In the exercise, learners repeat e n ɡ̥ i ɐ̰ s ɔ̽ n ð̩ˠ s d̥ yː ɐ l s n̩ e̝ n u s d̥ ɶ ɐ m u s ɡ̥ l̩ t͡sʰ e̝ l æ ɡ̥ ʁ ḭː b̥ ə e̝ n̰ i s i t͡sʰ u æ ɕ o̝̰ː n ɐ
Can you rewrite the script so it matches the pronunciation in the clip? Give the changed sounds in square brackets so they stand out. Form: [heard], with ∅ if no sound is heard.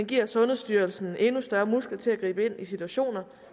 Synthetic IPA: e n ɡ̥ i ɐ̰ s ɔ̽ n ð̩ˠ s d̥ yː ɐ l s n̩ e̝ n u s d̥ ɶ ɐ m u s ɡ̥ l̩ t͡sʰ e̝ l æ ɡ̥ ʁ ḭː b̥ ə e̝ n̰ i s i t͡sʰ u æ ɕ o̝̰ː n ɐ